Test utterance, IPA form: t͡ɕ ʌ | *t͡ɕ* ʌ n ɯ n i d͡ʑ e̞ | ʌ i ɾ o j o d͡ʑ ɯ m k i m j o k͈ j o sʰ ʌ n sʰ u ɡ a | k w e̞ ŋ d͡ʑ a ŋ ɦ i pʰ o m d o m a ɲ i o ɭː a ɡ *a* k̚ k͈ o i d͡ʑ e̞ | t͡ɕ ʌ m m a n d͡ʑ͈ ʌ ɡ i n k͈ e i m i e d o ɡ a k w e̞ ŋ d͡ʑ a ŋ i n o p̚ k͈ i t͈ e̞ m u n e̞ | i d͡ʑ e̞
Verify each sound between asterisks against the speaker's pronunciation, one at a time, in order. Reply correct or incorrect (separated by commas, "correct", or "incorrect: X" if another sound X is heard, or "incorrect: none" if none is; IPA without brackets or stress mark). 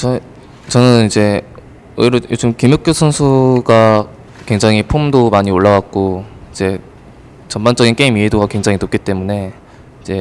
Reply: correct, correct